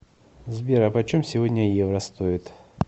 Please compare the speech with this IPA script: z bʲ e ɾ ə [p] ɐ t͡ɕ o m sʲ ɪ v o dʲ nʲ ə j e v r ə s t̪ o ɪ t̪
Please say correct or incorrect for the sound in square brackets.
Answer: correct